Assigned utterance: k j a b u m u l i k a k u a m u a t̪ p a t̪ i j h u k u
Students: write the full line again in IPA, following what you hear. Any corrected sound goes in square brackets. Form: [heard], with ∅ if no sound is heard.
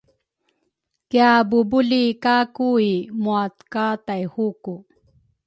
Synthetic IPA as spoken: k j a b u [b] u l i k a k u [i] m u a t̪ [k] a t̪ [a] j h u k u